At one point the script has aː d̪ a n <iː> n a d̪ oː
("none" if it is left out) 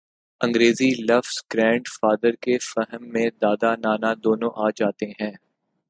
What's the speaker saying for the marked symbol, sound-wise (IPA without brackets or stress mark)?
aː